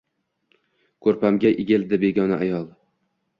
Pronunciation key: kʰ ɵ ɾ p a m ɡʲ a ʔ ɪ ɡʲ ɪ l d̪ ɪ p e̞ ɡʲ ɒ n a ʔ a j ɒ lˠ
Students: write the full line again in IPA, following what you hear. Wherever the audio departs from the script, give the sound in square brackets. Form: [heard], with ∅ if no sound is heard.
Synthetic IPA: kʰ ɵ ɾ p a m ɡʲ a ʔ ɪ ɡʲ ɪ l d̪ ɪ [b] e̞ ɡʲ ɒ n a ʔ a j ɒ lˠ